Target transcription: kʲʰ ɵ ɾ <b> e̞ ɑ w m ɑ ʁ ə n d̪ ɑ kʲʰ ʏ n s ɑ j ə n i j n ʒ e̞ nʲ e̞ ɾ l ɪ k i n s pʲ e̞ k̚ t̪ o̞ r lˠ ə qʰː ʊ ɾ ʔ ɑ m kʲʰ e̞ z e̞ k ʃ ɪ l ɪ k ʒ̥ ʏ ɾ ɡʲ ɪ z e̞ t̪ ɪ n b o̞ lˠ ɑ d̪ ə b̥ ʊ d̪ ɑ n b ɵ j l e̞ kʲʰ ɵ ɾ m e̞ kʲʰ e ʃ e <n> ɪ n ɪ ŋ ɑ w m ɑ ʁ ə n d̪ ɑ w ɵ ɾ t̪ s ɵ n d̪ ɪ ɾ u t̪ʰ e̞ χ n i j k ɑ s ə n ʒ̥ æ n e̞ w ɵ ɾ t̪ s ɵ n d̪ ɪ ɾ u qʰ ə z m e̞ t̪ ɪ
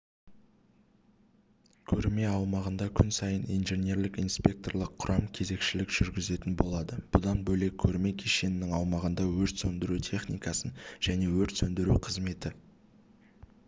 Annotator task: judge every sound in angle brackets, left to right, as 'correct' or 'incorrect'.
incorrect: m, correct

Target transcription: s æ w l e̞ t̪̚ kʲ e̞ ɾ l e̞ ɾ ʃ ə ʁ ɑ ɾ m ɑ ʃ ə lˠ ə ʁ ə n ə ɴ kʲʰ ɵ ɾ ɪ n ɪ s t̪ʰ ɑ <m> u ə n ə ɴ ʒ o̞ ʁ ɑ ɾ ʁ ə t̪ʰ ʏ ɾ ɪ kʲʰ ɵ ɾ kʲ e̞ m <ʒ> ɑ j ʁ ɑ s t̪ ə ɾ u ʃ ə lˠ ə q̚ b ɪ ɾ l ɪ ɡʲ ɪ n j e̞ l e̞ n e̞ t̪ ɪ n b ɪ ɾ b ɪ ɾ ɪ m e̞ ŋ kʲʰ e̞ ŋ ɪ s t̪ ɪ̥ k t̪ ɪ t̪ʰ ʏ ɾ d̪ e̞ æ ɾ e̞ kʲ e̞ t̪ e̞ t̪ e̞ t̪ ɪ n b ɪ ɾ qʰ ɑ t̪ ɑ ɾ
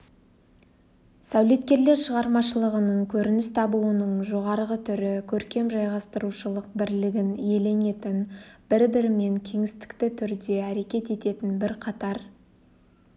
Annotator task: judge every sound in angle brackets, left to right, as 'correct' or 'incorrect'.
incorrect: b, correct

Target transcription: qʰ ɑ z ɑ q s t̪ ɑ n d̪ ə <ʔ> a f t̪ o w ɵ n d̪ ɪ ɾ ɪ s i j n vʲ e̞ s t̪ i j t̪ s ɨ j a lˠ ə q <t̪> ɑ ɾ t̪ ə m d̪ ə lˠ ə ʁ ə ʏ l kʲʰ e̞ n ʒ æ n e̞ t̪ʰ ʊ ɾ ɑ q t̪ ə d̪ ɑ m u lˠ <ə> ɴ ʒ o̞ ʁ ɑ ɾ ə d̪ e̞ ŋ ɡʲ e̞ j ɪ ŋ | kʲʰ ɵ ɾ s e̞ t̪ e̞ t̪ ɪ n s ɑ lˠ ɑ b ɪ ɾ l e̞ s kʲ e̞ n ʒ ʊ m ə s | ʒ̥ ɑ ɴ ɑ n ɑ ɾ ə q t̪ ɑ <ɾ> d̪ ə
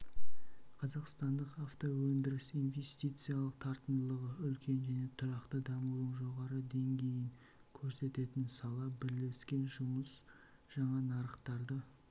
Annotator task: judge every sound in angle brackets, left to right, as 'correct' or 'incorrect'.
incorrect: q, incorrect: t̪ʰ, correct, correct

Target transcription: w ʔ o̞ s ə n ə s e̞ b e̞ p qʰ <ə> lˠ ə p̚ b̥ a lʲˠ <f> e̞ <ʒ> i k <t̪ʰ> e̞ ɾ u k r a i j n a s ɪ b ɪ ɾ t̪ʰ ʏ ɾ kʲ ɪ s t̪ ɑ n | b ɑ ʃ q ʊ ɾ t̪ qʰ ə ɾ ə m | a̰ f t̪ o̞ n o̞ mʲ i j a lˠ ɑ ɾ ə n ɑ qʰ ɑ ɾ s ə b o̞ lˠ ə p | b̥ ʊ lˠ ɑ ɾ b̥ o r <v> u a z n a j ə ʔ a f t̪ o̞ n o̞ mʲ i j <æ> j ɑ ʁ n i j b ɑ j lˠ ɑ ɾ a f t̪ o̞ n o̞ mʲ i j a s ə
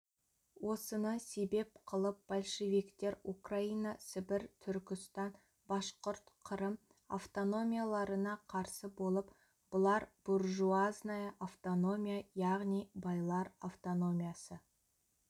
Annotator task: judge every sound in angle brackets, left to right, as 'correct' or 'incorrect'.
correct, incorrect: ʃ, incorrect: v, incorrect: t̪, incorrect: ʒ, incorrect: a

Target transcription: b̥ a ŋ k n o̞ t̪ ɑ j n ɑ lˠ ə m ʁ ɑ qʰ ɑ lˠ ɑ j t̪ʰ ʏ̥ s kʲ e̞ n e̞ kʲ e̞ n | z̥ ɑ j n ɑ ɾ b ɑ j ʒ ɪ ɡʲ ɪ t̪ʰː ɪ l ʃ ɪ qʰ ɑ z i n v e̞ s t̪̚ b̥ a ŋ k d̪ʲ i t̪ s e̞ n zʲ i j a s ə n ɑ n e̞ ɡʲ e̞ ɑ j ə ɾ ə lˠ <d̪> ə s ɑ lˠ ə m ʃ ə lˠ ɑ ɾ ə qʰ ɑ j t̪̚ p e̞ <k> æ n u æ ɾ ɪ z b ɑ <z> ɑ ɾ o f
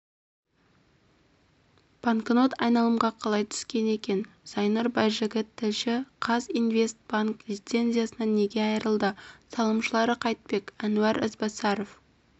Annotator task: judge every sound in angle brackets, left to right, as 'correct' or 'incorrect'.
correct, correct, incorrect: s

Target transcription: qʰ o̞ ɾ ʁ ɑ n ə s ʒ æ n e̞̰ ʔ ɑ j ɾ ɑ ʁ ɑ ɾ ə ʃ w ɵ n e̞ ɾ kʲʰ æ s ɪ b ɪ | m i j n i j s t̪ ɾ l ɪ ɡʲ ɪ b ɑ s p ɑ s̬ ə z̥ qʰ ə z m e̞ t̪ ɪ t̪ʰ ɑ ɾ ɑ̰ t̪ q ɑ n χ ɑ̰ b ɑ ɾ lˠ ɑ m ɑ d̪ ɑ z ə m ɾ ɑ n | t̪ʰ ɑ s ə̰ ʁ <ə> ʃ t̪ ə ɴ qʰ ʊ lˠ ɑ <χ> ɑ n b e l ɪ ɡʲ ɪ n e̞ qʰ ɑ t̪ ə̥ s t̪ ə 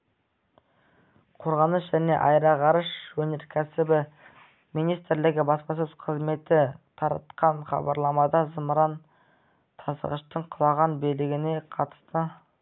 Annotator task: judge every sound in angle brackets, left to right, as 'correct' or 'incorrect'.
correct, incorrect: ʁ

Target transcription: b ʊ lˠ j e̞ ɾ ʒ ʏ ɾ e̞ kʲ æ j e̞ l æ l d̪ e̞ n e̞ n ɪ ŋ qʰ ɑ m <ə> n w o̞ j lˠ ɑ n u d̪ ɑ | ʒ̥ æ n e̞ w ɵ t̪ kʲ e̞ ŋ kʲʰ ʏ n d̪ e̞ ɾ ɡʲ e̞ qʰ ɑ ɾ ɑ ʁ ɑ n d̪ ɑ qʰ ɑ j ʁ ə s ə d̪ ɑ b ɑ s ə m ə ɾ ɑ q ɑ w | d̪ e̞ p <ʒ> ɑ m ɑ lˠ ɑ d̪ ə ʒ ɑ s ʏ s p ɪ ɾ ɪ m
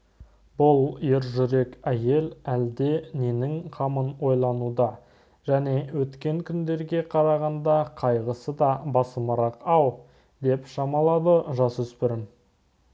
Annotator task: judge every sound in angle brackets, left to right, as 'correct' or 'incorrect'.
correct, incorrect: ʃ

